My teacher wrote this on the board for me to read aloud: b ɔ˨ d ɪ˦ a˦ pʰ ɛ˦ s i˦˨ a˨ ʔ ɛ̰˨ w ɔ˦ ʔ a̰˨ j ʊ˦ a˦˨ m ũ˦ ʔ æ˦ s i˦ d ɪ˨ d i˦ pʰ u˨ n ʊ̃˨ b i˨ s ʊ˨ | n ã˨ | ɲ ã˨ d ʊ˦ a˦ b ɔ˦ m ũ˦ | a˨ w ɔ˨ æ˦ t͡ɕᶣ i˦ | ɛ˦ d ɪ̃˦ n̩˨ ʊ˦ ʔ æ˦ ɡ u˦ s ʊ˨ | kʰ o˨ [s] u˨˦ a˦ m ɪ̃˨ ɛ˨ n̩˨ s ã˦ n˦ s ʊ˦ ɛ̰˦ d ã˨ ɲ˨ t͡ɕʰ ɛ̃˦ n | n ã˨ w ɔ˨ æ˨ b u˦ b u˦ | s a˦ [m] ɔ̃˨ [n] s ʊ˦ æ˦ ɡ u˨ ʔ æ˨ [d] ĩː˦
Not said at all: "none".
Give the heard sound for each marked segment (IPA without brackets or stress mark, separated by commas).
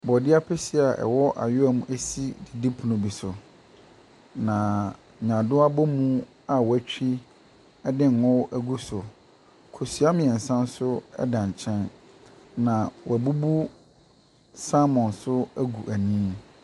s, m, n, n